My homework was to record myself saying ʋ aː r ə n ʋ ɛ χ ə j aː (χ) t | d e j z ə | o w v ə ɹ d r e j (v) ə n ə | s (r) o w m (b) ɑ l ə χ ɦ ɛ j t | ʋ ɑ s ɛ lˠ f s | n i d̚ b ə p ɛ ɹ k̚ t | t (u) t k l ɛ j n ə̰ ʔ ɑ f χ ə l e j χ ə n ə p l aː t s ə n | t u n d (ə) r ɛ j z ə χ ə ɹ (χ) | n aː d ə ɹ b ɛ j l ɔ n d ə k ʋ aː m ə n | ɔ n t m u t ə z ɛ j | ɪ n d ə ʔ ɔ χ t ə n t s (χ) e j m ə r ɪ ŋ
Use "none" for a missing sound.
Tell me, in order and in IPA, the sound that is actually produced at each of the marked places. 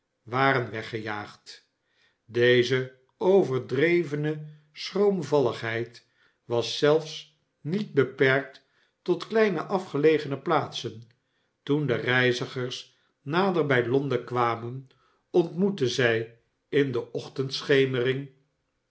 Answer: χ, v, r, v, ɔ, ə, s, χ

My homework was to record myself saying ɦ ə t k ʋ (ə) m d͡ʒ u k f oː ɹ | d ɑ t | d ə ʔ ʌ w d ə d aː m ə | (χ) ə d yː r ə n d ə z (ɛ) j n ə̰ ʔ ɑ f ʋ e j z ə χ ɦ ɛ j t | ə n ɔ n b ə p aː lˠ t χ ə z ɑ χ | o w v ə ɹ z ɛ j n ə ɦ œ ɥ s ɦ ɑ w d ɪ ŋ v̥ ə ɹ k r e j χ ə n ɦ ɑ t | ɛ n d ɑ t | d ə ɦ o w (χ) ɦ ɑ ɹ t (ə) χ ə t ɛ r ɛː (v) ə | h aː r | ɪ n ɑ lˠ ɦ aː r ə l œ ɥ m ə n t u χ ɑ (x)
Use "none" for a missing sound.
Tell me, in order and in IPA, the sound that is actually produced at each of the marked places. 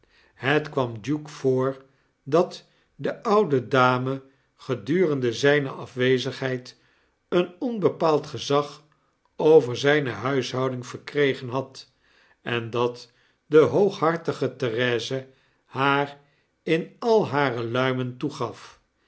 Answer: ɑ, χ, ɛ, χ, ə, z, f

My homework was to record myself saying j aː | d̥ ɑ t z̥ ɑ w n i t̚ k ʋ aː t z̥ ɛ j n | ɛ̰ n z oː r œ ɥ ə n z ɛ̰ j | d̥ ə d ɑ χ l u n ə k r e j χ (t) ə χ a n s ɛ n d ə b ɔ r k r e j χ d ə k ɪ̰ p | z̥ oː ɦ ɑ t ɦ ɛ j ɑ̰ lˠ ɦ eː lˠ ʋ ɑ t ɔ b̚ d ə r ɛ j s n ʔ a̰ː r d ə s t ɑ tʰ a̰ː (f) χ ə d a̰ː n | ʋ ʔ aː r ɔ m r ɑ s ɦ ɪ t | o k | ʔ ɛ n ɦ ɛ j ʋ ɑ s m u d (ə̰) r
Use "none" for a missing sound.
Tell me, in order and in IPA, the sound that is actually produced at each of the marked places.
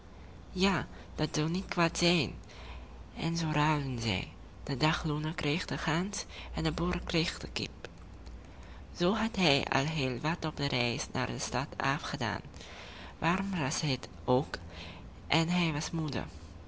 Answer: d, f, ə̰

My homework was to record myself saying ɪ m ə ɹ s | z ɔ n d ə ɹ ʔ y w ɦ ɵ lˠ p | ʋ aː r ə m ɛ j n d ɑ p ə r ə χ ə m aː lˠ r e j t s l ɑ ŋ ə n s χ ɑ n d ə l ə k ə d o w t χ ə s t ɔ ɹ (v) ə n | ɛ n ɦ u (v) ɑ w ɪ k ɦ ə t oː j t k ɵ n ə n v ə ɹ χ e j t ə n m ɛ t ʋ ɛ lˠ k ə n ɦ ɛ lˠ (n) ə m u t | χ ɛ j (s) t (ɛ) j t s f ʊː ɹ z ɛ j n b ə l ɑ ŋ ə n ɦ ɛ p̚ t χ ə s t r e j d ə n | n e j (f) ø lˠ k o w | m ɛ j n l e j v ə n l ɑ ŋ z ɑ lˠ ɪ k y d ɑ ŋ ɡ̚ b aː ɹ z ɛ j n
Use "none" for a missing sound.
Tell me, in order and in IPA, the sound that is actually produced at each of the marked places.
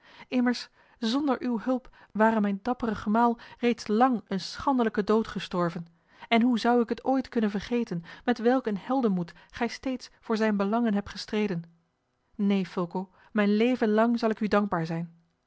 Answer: v, z, d, s, e, f

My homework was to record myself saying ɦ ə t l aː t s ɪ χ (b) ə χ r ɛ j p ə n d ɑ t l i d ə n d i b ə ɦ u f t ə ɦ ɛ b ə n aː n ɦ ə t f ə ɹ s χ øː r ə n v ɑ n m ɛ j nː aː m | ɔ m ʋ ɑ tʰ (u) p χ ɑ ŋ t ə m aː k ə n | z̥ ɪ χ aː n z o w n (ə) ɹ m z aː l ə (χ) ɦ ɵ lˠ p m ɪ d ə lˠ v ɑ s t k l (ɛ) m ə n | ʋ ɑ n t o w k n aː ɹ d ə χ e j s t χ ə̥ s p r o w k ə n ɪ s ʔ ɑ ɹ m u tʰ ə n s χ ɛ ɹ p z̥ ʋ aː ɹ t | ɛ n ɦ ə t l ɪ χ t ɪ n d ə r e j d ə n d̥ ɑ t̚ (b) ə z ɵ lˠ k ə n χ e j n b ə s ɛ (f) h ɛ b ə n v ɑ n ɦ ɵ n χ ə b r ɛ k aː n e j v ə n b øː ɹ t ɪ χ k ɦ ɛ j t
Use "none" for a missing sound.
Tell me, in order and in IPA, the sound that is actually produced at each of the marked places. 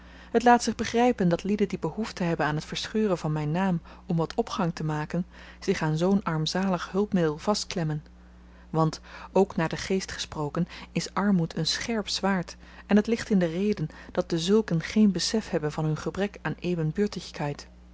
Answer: b, ɔ, ɑ, χ, ɛ, d, f

